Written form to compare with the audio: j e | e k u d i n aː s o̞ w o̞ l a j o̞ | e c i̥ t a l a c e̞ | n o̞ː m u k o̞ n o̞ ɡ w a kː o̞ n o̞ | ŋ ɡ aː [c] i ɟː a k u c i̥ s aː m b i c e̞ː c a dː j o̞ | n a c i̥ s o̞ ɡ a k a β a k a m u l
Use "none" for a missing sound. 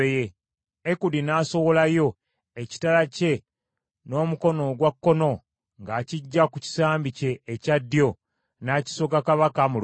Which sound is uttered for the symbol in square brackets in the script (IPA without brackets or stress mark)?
c